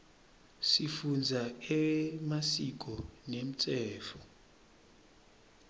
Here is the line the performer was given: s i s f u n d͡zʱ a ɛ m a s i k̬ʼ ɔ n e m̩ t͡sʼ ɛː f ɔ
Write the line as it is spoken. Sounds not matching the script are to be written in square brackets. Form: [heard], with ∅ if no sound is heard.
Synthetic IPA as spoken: s i [∅] f u n d͡zʱ a ɛ m a s i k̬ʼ ɔ n e m̩ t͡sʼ ɛː f ɔ